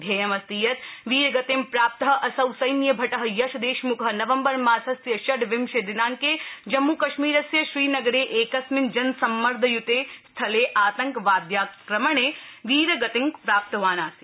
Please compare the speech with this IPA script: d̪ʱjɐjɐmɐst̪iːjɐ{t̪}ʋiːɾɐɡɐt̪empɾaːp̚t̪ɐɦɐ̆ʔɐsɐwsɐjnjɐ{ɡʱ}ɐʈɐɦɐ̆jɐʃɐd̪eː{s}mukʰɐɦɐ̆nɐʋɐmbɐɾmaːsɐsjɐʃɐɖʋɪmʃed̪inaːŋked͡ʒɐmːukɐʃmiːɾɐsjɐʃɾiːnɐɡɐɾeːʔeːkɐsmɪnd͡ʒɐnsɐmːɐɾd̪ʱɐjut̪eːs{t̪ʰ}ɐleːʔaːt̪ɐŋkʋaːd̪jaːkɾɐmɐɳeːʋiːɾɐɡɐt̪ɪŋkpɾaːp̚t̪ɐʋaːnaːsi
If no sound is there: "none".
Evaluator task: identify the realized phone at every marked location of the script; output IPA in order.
t̪, bʱ, ʃ, t̪ʰ

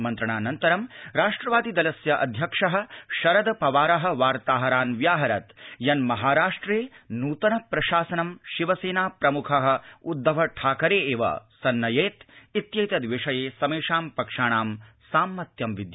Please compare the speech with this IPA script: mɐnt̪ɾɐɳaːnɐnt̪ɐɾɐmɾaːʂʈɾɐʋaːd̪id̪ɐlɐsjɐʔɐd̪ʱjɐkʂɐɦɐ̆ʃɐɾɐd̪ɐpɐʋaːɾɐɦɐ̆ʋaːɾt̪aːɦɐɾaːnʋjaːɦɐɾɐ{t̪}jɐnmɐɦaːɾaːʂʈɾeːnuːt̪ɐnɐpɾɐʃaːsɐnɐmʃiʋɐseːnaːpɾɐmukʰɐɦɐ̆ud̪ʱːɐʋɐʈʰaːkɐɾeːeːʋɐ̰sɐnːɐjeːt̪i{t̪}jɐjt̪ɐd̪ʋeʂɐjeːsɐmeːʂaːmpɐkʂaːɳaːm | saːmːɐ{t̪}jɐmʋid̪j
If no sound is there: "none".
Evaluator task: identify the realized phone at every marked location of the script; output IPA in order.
t̪, t̪, t̪

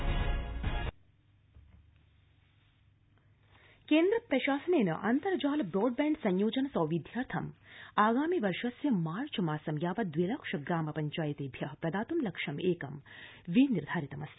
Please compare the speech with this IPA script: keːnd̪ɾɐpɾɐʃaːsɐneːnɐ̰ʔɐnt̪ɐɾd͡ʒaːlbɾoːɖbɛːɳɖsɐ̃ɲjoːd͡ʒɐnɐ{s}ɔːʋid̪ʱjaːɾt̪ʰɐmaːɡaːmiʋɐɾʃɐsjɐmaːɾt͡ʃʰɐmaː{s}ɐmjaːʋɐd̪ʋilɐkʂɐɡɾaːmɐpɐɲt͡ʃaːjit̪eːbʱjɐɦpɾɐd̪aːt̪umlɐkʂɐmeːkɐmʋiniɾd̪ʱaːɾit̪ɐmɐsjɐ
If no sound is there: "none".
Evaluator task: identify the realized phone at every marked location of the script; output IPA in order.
s, s

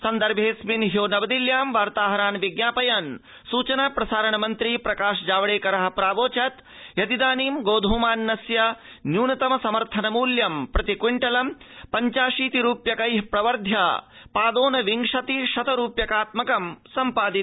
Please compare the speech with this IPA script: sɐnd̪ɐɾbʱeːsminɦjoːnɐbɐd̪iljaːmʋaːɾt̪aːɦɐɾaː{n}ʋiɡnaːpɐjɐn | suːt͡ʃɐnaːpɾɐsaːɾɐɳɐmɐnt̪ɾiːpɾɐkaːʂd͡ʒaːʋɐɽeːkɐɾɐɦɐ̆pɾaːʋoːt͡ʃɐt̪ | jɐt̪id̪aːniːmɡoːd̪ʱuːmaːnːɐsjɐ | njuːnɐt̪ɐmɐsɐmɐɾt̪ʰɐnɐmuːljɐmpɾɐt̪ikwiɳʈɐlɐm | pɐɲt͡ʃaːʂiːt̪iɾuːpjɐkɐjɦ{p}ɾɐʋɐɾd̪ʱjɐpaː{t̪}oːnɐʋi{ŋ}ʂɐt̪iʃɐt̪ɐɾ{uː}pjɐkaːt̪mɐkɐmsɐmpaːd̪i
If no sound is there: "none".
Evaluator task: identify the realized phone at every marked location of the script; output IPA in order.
n, p, d̪, ŋ, uː

